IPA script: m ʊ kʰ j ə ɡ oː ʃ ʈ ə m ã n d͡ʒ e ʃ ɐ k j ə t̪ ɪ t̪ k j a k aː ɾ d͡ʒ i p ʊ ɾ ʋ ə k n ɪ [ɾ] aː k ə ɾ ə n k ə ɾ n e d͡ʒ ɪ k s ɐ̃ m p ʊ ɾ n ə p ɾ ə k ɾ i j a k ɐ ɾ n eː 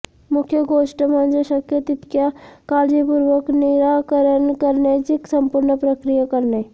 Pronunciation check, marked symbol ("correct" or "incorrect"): correct